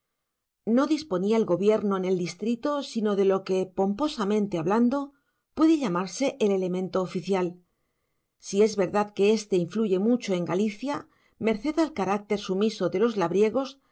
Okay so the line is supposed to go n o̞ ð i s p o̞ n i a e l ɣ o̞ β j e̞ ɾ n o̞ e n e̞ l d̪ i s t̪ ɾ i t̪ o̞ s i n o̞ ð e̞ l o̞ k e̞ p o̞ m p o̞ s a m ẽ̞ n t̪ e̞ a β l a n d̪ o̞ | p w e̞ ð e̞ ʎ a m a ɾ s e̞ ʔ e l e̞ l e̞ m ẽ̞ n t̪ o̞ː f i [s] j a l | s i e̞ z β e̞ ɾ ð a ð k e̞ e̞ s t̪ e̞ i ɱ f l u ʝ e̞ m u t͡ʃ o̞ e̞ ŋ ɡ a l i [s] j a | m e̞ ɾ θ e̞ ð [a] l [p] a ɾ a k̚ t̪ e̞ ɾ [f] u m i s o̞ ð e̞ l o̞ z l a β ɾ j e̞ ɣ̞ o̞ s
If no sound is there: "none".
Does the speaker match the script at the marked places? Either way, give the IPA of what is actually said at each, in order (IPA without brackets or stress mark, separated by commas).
θ, θ, a, k, s